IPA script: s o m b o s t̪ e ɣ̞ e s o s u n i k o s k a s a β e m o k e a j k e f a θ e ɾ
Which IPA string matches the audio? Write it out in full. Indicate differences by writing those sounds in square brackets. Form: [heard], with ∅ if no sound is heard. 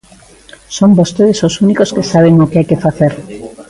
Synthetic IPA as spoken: s o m b o s t̪ e [ð̞] e s o s u n i k o s k [e] s a β e [ŋ] o k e a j k e f a θ e ɾ